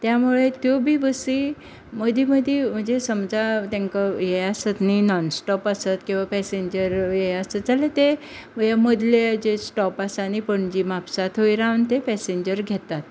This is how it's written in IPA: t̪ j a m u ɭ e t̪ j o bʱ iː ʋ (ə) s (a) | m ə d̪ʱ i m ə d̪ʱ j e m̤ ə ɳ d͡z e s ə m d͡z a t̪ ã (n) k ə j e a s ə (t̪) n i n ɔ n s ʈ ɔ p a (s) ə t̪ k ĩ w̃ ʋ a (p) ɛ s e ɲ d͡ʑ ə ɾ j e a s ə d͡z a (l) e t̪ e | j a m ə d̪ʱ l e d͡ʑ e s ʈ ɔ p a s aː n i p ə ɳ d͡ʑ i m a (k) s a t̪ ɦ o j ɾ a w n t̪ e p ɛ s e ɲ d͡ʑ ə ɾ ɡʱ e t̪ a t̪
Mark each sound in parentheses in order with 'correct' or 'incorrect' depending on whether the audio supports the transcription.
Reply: correct, incorrect, incorrect, correct, correct, correct, correct, incorrect

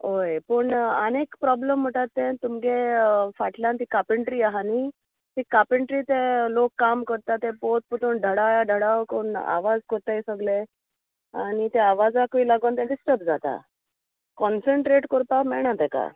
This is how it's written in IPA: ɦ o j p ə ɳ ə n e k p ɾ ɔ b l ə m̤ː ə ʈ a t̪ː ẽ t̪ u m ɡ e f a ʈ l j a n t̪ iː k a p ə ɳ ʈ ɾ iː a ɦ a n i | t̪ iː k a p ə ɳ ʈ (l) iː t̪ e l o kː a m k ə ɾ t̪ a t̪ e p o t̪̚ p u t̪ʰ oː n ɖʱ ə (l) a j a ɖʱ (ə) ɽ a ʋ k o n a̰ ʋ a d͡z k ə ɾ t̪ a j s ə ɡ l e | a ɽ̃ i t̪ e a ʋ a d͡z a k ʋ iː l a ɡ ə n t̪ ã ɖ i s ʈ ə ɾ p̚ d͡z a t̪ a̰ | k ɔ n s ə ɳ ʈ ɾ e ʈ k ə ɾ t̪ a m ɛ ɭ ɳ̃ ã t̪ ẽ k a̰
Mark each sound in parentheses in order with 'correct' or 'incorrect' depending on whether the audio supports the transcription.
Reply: incorrect, incorrect, correct

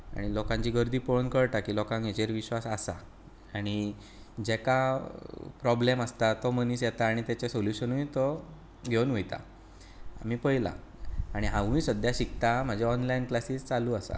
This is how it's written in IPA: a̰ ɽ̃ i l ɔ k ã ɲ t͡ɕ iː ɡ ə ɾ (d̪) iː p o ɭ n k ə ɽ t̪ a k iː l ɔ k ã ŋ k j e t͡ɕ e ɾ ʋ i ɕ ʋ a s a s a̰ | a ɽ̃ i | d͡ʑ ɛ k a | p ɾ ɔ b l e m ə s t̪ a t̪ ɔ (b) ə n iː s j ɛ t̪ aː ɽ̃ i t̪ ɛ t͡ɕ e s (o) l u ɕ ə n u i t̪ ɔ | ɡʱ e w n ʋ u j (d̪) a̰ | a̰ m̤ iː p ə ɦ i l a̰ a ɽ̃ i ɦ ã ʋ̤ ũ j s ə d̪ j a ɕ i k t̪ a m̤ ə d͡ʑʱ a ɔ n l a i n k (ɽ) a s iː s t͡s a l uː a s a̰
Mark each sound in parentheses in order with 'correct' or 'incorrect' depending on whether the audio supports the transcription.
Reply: correct, incorrect, correct, incorrect, incorrect

